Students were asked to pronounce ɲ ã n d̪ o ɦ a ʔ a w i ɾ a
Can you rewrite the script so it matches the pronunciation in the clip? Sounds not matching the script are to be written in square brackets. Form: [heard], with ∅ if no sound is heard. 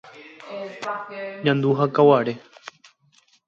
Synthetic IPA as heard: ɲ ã n d̪ [u] ɦ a [k] a w [a] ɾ [e]